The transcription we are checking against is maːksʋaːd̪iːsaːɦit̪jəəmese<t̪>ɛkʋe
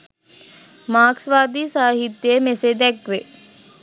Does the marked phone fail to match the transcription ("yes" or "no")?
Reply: yes